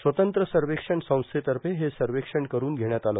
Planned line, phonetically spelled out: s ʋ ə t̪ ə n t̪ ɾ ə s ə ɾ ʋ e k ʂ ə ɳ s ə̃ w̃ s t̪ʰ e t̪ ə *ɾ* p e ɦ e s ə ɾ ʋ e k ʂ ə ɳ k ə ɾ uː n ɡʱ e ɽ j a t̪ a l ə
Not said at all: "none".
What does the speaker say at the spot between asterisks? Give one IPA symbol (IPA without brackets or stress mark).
ɾ